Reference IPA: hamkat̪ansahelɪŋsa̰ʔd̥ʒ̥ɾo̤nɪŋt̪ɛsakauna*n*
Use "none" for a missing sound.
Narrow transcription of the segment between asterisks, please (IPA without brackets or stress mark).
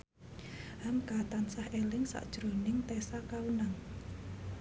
ŋ